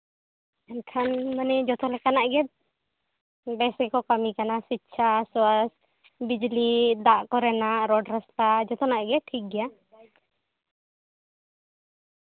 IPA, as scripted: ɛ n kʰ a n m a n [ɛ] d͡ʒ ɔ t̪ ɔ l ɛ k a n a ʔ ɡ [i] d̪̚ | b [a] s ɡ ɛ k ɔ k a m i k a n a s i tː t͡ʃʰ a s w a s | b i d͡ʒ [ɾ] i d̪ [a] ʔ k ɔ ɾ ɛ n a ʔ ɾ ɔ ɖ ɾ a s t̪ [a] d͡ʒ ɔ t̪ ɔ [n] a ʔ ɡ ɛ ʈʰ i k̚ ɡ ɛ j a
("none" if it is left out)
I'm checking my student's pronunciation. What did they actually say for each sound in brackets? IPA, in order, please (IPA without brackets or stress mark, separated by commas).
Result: ɛ, ɛ, ɛ, l, a, a, n